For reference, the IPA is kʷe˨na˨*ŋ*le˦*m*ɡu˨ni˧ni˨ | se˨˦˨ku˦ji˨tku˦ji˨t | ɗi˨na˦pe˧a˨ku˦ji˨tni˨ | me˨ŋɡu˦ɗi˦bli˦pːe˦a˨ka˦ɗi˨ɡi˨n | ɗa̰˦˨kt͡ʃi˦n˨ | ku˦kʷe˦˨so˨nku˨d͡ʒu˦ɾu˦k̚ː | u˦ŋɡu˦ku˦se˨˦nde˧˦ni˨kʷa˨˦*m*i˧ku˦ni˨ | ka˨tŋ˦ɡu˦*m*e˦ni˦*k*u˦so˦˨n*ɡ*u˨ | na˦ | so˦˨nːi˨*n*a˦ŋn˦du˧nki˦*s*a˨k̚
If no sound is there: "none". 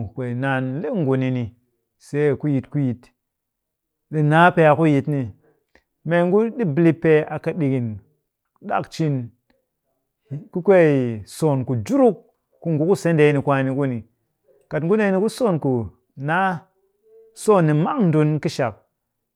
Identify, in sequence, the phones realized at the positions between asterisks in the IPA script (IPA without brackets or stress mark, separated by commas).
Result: n, ŋ, n, n, k, k, m, ʃ